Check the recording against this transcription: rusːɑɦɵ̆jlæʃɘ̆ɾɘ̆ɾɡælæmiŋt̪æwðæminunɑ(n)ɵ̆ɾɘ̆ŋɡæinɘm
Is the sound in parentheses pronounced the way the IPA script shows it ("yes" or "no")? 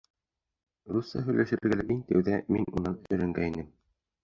yes